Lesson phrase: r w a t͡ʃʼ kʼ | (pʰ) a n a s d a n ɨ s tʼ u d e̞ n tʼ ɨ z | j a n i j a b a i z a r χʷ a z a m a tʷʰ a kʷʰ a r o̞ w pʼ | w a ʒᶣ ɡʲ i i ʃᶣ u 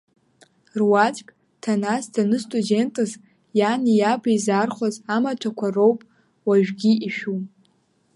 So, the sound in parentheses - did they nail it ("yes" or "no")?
no